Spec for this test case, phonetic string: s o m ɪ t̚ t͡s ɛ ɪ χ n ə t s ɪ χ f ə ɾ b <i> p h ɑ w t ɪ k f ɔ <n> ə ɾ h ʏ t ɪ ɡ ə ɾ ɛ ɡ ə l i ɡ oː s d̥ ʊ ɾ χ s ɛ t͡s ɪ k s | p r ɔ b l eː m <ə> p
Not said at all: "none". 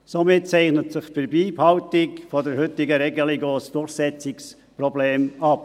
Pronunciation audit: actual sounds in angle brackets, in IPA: iː, d, ɑ

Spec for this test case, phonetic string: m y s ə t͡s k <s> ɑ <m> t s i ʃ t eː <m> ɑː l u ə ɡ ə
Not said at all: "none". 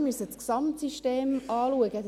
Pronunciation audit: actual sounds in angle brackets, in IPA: s, m, m

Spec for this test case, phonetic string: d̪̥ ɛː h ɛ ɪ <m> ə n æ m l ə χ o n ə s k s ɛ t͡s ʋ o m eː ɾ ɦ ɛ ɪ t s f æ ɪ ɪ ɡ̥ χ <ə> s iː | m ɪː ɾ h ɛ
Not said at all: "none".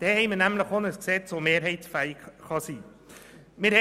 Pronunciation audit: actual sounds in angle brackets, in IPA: m, ɑ

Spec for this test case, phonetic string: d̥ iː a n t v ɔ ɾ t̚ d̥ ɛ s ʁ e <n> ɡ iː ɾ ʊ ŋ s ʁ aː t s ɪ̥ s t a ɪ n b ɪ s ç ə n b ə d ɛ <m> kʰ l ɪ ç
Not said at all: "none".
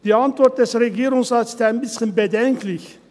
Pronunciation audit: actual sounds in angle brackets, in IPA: none, ŋ

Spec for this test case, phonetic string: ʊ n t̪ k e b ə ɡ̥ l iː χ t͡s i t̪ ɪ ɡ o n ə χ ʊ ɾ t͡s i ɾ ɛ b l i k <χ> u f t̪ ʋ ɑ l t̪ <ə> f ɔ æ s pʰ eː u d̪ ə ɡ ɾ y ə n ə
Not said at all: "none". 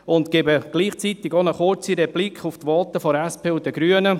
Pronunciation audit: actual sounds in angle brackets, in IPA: χ, ə

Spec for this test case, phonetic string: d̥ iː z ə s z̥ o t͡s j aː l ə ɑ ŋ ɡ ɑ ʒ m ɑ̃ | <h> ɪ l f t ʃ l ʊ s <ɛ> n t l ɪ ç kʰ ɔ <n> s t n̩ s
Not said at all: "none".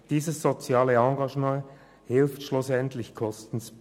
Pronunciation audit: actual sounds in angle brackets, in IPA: h, ɛ, none

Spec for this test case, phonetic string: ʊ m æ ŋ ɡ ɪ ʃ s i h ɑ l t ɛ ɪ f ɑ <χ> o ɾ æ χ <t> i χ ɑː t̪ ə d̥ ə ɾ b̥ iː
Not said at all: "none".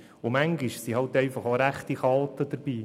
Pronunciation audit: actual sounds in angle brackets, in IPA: χ, t

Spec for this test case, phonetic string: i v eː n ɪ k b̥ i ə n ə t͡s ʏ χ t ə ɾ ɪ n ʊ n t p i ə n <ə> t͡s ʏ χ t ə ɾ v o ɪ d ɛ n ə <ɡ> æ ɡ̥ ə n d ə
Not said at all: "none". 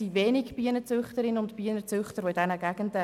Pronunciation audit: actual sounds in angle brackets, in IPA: ə, ɡ

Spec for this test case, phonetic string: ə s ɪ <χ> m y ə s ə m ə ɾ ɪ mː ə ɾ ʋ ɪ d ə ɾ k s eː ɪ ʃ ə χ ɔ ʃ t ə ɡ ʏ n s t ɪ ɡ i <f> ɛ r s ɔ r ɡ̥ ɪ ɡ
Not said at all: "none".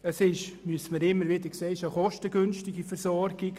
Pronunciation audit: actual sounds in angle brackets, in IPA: ʃ, f

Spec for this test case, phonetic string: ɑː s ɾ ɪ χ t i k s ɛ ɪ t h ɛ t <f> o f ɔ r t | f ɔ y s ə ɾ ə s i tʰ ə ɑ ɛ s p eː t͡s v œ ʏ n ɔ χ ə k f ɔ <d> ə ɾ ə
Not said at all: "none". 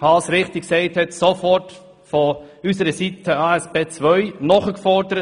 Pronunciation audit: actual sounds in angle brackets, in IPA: s, d

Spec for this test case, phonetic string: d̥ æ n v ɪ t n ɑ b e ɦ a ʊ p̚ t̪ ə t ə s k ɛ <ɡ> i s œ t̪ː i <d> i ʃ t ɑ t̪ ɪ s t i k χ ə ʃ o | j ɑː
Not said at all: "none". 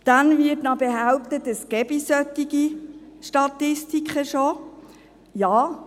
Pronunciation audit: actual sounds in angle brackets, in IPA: b, ɡ

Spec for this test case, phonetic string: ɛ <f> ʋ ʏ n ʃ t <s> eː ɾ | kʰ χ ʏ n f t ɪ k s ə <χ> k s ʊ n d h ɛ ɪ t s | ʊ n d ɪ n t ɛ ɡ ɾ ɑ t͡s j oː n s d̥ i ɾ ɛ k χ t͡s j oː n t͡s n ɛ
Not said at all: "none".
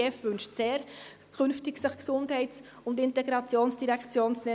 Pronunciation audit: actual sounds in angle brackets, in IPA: f, s, χ

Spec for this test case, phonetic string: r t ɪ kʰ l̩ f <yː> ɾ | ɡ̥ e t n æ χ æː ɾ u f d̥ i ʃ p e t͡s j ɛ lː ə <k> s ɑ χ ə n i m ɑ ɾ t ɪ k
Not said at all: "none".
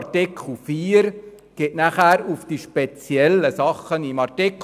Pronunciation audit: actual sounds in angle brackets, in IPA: iː, none

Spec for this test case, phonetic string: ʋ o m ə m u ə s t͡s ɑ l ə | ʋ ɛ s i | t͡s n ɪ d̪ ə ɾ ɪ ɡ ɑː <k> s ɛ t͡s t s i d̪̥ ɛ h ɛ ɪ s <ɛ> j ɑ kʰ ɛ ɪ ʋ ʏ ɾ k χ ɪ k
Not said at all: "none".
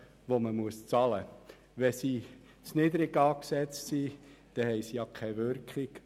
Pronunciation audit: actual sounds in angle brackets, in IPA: k, i

